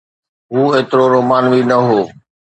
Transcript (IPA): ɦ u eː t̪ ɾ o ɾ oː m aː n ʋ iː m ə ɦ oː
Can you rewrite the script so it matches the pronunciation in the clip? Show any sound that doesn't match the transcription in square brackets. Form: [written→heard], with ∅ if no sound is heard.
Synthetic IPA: ɦ [u→uː] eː t̪ ɾ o ɾ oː m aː n ʋ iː [m→n] ə ɦ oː